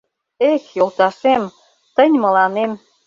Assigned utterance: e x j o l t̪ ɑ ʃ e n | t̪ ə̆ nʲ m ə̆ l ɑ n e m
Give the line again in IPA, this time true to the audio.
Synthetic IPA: e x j o l t̪ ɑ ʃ e m | t̪ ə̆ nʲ m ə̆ l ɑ n e m

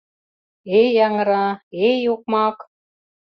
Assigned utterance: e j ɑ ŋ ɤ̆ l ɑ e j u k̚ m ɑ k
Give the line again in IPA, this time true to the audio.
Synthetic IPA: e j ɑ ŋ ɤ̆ ɾ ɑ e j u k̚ m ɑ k

